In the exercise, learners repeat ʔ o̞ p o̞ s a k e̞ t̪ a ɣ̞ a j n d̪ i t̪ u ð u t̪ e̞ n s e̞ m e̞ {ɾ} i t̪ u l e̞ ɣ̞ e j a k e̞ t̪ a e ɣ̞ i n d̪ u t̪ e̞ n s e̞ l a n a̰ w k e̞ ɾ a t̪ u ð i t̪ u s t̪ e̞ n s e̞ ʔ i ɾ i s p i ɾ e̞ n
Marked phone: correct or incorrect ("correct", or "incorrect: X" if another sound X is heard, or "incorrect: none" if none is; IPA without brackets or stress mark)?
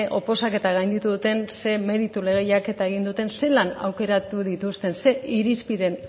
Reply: correct